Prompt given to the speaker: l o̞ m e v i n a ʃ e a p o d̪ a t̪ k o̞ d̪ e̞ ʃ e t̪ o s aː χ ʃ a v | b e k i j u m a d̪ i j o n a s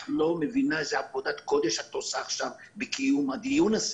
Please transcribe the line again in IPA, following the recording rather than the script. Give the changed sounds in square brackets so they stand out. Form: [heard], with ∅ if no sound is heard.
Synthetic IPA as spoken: l o̞ m e v i n a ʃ e a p o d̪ a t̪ k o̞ d̪ e̞ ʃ [a] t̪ o s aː χ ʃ a v | b e k i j u m a d̪ i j [u] n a s

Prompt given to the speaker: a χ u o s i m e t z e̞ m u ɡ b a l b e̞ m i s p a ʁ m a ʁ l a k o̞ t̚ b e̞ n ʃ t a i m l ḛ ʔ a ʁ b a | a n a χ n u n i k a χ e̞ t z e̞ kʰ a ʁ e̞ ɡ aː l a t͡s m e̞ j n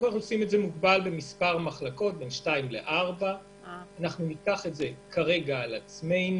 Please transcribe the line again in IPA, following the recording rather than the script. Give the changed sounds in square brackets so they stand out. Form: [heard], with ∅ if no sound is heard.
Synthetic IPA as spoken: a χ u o s i m e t z e̞ m u ɡ b a l b e̞ m i s p a ʁ m a [χ] l a k o̞ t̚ b e̞ n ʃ t a i m l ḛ ʔ a ʁ b a | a n a χ n u n i k a χ e̞ t z e̞ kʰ a ʁ e̞ ɡ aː l a t͡s m e̞ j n

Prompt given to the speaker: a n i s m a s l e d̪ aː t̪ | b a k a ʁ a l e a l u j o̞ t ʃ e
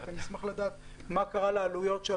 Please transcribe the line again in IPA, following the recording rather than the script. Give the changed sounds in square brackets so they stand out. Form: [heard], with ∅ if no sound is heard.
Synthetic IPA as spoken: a n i s m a [χ] l [a] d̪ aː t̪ | [m] a k a ʁ a l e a l u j o̞ t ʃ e

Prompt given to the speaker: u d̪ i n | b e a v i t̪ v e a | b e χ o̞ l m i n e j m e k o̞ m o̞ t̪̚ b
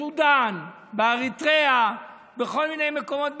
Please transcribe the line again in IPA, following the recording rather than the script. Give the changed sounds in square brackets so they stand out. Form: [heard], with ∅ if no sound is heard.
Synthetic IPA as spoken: u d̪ [a] n | b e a [ʁ] i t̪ [ʁ] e a | b e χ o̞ l m i n e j m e k o̞ m o̞ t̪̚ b

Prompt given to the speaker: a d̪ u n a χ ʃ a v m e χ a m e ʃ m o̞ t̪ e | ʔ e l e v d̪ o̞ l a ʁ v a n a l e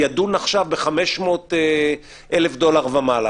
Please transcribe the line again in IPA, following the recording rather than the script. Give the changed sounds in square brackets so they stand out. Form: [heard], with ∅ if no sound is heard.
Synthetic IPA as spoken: a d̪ u n a χ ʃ a v [b] e χ a m e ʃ m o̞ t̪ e | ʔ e l e [f] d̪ o̞ l a ʁ v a [m] a l [a]

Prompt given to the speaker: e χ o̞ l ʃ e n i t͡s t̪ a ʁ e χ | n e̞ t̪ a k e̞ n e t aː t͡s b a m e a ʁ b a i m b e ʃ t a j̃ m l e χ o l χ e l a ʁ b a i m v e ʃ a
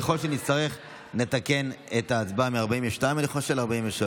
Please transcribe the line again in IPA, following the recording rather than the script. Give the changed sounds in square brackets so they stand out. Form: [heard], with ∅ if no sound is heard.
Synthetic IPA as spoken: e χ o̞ l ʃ e n i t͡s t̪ a ʁ e χ | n e̞ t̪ a k e̞ n e t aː t͡s b a m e a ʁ b a i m [v] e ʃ t a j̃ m l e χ o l [ʃ] e l a ʁ b a i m v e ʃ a

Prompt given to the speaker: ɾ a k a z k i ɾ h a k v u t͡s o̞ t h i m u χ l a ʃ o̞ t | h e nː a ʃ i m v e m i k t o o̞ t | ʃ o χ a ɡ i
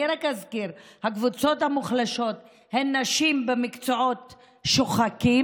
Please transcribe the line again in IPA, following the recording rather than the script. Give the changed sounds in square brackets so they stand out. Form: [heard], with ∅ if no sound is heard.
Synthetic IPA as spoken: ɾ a k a z k i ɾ h a k v u t͡s o̞ t h [a] m u χ l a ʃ o̞ t | h e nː a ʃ i m [b] e m i k [t͡s] o o̞ t | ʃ o χ a [k] i

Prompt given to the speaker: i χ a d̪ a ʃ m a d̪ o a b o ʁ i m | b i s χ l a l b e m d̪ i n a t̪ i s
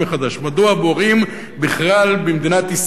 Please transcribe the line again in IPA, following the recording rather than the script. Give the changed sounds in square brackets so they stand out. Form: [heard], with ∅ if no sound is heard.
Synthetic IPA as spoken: [e] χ a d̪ a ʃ m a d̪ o a b o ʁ i m | b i [∅] χ l a l b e m d̪ i n a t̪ i s

